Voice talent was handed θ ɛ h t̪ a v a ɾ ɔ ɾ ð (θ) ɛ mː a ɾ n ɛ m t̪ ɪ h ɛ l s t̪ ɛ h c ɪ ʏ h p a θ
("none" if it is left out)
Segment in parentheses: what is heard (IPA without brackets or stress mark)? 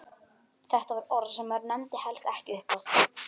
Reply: s